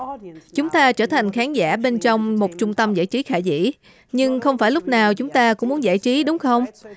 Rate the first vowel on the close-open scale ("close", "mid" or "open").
close